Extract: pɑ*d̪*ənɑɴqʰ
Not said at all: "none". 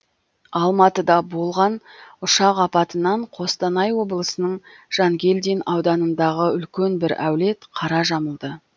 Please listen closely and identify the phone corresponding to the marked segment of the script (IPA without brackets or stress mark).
t̪